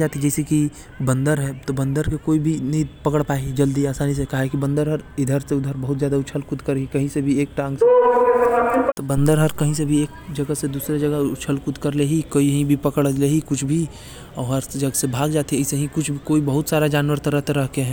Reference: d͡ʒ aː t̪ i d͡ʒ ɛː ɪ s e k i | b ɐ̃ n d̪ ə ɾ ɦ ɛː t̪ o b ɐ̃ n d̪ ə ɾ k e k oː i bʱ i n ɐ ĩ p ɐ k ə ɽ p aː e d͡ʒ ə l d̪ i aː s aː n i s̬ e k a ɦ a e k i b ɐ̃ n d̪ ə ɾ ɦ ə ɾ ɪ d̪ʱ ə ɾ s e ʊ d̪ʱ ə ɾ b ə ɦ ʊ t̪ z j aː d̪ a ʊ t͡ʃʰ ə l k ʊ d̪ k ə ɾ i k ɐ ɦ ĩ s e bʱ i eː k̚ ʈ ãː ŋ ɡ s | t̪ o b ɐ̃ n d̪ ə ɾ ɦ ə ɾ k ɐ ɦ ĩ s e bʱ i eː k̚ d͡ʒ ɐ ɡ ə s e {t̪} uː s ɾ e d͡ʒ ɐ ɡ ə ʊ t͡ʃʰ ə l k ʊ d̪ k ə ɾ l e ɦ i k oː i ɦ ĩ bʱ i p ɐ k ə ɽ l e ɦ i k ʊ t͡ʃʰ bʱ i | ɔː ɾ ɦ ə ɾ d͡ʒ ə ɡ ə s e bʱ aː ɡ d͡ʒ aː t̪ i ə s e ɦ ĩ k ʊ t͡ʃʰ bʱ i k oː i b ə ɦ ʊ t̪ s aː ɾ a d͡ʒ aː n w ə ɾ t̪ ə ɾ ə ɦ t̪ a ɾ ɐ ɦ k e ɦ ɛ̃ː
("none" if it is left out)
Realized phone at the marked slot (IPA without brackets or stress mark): d̪